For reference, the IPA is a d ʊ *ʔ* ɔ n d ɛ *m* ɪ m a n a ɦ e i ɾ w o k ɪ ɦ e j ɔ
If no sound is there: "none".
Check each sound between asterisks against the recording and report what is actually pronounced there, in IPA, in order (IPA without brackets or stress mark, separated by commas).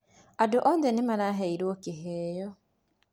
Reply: ʔ, n